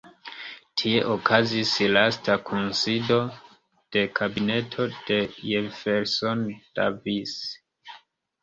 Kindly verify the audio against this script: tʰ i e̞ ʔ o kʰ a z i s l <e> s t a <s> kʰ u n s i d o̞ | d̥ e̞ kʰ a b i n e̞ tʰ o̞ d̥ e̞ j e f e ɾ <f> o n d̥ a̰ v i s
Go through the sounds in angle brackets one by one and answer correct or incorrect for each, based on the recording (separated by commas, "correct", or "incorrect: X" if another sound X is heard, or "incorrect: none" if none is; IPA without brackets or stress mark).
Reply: incorrect: a, incorrect: none, incorrect: s